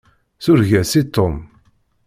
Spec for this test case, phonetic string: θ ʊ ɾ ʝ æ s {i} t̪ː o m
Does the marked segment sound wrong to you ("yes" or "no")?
no